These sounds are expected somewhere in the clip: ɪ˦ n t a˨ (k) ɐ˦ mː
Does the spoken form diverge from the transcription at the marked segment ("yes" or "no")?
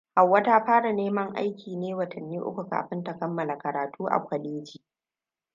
no